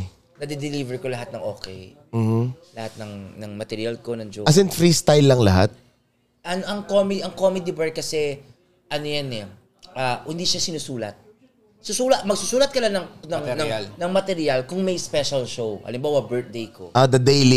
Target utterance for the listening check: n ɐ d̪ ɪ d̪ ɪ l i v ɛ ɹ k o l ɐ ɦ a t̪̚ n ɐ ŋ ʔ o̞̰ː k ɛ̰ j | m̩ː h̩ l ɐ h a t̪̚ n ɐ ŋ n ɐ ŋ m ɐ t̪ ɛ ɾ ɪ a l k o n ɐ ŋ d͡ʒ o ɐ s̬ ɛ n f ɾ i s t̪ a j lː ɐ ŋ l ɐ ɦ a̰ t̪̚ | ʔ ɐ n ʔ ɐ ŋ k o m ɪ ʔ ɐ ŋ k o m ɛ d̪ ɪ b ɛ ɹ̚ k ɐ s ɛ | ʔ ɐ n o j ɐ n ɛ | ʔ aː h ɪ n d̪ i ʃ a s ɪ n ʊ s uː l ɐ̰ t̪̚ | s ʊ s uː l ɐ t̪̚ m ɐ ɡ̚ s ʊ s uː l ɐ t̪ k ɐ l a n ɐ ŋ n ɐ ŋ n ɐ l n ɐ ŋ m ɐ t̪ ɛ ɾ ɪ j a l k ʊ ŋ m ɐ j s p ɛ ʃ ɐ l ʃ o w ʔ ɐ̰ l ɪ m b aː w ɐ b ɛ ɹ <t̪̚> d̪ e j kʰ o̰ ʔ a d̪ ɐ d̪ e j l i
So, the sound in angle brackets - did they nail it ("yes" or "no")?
yes